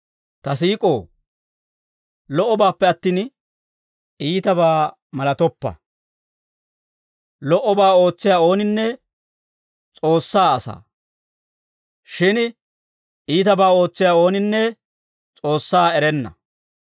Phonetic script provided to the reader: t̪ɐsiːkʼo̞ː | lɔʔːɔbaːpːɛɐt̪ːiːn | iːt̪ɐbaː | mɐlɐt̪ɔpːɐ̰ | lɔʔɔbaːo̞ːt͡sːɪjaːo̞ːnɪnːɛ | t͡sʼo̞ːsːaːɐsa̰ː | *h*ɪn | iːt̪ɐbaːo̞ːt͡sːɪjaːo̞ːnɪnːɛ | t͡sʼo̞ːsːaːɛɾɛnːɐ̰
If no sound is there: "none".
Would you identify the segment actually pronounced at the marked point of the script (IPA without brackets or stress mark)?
ʃ